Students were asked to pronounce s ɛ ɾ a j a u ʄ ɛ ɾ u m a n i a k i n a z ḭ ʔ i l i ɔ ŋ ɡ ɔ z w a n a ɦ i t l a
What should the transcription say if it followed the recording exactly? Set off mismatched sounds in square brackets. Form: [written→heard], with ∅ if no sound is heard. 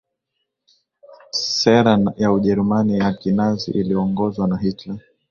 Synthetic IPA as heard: s ɛ ɾ a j a u ʄ ɛ ɾ u m a n i a k i n a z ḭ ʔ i l i ɔ ŋ ɡ ɔ z w a n a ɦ i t l a